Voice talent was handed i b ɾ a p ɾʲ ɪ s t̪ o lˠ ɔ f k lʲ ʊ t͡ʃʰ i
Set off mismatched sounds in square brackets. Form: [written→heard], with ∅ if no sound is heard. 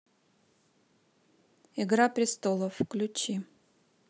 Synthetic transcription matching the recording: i [b→ɡ] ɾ a p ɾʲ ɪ s t̪ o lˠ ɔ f k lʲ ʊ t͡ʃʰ i